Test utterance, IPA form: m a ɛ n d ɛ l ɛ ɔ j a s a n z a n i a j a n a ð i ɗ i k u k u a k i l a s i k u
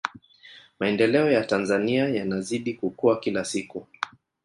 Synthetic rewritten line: m a ɛ n d ɛ l ɛ ɔ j a t a n z a n i a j a n a z i ɗ i k u k u a k i l a s i k u